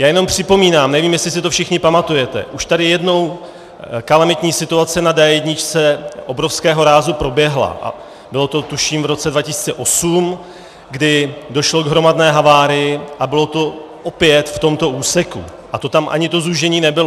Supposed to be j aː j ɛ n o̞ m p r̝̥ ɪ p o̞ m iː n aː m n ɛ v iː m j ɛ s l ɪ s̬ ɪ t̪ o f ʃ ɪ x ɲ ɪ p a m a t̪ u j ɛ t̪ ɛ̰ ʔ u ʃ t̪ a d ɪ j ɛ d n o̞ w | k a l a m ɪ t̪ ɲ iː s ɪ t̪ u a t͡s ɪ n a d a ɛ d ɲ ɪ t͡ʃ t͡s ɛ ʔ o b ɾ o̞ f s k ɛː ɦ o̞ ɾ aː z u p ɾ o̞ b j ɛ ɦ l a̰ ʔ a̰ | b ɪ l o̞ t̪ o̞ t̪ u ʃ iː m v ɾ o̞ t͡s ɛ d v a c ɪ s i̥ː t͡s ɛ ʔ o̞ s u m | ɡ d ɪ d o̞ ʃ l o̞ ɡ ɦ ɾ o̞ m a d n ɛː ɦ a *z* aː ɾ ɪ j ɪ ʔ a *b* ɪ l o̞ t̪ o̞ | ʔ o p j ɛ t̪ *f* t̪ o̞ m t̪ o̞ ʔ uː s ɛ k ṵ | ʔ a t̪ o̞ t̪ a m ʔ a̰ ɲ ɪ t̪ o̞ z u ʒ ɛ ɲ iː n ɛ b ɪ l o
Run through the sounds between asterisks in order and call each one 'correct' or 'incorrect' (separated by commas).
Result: incorrect, correct, correct